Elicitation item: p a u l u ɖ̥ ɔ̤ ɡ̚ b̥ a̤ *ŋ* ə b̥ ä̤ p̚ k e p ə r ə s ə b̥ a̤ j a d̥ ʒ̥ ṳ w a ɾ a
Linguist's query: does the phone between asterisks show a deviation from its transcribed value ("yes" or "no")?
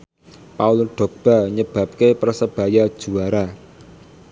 yes